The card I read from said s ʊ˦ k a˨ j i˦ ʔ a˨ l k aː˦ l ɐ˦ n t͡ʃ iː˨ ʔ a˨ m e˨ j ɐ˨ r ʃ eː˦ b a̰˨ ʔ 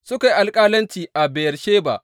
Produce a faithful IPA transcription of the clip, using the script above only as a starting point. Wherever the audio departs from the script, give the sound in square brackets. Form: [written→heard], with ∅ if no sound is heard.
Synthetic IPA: s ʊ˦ k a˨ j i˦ ʔ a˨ l [k→kʼ] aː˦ l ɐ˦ n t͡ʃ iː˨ ʔ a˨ [m→b] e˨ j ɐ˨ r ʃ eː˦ b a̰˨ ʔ